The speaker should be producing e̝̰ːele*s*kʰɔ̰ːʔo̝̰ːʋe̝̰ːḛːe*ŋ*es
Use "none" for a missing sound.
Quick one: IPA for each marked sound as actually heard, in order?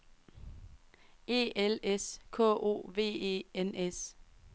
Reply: s, n

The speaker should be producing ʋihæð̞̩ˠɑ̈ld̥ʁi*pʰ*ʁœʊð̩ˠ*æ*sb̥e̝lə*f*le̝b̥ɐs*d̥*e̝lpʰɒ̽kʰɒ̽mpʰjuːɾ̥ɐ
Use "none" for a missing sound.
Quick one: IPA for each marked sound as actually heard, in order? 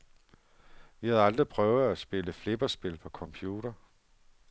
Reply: pʰ, æ, f, b̥

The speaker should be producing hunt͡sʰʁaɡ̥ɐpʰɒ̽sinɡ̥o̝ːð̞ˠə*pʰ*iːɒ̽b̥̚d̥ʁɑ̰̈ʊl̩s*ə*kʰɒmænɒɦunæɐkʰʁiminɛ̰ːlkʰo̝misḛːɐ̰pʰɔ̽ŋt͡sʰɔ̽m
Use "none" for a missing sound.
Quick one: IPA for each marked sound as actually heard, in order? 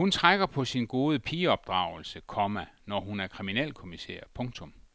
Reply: pʰ, ə

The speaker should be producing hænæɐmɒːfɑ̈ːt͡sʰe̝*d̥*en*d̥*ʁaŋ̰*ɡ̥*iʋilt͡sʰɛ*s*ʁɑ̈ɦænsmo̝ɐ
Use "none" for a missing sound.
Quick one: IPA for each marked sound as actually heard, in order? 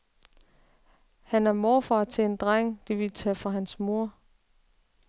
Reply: none, d̥, d̥, f

